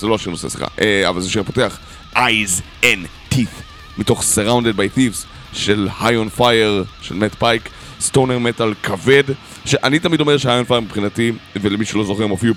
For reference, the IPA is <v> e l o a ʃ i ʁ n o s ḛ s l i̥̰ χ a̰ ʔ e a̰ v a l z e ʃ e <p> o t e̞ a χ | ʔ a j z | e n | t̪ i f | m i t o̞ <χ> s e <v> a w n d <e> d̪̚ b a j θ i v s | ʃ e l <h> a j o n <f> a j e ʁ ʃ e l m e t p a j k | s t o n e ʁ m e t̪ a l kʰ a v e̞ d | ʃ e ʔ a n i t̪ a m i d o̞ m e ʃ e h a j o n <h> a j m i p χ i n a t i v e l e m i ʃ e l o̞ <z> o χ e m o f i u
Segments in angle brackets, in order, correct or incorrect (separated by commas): incorrect, correct, correct, incorrect, correct, correct, correct, incorrect, correct